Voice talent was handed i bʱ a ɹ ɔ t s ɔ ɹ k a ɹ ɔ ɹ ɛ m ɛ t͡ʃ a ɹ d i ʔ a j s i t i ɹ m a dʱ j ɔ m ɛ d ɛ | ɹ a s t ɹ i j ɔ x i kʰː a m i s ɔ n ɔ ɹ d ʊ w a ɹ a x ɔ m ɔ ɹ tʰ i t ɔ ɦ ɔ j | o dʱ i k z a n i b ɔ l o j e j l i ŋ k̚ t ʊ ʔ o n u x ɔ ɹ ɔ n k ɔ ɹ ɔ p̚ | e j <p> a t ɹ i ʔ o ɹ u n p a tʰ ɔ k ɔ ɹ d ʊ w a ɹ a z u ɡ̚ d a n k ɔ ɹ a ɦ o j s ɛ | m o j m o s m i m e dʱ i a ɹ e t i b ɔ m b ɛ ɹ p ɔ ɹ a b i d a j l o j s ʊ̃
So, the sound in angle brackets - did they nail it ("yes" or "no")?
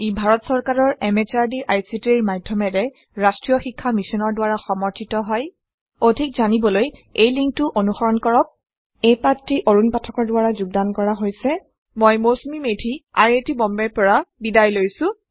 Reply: yes